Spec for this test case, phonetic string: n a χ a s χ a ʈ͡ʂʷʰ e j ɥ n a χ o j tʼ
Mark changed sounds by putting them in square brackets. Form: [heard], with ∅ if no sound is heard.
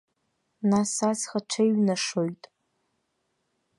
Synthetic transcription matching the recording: n a [s] a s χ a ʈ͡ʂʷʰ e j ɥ n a [ʂ] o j tʼ